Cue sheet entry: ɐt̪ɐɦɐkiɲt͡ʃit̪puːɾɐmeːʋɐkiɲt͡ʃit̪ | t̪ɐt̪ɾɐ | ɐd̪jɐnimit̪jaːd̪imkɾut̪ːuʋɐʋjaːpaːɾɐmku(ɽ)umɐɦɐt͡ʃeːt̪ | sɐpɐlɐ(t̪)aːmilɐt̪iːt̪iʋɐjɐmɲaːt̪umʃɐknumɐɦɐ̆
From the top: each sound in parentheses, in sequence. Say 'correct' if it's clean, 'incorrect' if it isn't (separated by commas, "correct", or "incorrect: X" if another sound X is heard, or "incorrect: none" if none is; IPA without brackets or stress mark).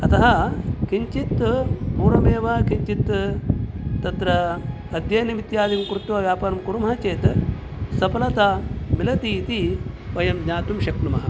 incorrect: ɾ, correct